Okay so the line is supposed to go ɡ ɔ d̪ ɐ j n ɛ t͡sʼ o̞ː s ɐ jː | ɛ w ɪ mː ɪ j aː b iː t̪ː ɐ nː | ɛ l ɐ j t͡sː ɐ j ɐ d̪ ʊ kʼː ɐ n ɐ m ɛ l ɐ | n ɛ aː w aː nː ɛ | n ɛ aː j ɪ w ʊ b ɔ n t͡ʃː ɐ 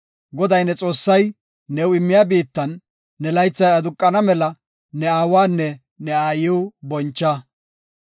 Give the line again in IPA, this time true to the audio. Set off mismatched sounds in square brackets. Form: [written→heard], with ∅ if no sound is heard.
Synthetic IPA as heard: ɡ ɔ d̪ ɐ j n ɛ t͡sʼ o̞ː [s→sː] ɐ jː | ɛ w ɪ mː ɪ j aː b iː t̪ː ɐ nː | ɛ l ɐ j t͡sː ɐ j ɐ d̪ ʊ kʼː ɐ n ɐ m ɛ l ɐ | n ɛ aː w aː nː ɛ | n ɛ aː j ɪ w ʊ b ɔ n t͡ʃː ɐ